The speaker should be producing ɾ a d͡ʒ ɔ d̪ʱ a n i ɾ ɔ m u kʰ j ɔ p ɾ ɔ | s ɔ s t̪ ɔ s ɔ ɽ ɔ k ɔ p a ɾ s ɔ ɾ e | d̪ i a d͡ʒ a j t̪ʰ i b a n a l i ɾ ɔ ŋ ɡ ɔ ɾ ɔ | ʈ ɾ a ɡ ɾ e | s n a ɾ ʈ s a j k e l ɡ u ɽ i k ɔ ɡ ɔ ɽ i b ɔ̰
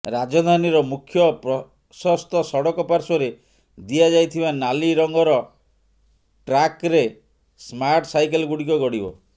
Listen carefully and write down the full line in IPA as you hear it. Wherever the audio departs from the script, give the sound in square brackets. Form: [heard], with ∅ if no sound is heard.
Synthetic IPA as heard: ɾ a d͡ʒ ɔ d̪ʱ a n i ɾ ɔ m u kʰ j ɔ p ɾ ɔ | s ɔ s t̪ ɔ s ɔ ɽ ɔ k ɔ p a ɾ s ɔ ɾ e | d̪ i a d͡ʒ a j t̪ʰ i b a n a l i ɾ ɔ ŋ ɡ ɔ ɾ ɔ | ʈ ɾ a [k] ɾ e | s [m] a ɾ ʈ s a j k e l ɡ u ɽ i k ɔ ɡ ɔ ɽ i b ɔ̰